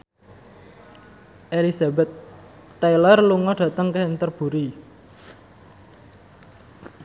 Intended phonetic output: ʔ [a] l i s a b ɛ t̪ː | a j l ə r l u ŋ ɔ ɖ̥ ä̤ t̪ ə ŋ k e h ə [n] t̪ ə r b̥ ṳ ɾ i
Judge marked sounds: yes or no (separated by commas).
no, yes